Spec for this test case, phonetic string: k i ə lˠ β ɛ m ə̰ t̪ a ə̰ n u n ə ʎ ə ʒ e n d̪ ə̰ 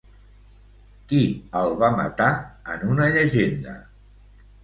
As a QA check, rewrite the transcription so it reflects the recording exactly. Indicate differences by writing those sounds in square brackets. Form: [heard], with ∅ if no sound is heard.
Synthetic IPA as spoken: k i ə lˠ β [a] m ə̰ t̪ a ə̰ n u n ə ʎ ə ʒ e n d̪ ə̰